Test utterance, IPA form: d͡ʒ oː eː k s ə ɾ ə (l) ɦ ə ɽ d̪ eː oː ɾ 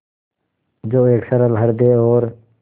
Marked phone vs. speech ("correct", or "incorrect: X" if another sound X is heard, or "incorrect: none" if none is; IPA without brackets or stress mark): correct